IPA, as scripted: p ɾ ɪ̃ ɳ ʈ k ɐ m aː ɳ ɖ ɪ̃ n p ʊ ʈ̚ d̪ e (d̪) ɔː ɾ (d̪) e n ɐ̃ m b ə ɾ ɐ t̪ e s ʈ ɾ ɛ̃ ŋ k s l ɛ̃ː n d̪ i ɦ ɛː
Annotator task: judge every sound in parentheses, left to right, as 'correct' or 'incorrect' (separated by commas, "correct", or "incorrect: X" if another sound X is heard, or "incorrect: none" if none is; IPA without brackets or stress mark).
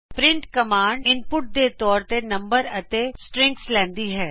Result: incorrect: t̪, incorrect: t̪